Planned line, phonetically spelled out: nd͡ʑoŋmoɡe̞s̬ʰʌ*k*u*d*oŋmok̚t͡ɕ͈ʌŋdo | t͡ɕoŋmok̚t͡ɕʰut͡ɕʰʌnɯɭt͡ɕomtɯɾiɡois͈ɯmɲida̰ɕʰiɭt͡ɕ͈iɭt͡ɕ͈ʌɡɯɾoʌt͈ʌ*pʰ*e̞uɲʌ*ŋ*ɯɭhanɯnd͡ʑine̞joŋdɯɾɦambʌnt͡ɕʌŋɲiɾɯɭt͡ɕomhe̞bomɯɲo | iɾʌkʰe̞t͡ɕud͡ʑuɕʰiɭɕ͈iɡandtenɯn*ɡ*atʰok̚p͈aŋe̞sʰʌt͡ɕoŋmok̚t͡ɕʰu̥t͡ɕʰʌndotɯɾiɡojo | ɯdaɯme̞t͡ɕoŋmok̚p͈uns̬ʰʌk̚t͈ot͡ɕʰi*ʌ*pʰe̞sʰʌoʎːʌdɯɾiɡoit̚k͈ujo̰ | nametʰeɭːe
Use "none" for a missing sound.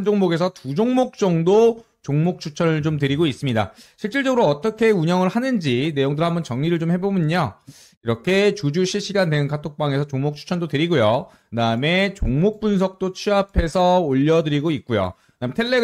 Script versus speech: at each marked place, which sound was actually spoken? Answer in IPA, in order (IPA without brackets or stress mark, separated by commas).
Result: t, d͡ʑ, kʰ, ŋ, k, a